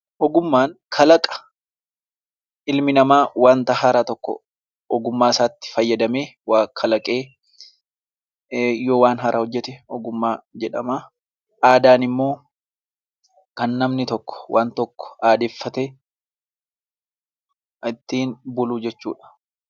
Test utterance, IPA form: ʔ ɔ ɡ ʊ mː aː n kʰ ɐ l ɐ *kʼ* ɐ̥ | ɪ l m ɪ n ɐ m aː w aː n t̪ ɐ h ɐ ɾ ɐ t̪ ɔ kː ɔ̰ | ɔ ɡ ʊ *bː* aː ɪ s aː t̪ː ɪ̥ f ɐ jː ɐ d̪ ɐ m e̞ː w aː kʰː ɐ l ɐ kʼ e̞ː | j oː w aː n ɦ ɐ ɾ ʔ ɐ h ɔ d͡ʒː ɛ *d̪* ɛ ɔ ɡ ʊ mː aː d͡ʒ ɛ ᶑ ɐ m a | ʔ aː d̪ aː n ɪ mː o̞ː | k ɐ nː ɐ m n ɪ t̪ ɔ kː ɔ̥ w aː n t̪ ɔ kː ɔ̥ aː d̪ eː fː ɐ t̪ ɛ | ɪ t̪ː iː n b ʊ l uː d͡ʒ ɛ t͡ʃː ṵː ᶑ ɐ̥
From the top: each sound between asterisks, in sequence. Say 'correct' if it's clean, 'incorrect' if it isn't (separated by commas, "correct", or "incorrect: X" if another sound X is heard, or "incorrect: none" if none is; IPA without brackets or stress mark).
correct, incorrect: mː, incorrect: t̪